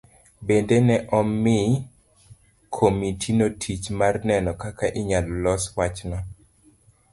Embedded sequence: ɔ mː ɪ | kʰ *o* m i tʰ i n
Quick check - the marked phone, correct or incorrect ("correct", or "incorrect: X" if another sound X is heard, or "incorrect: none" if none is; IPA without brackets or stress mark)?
correct